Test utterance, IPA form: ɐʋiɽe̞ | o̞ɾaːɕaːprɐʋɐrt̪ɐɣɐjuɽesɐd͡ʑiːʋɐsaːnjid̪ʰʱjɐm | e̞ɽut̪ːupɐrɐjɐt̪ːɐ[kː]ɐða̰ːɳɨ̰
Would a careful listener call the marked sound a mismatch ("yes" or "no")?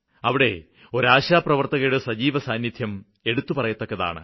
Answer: no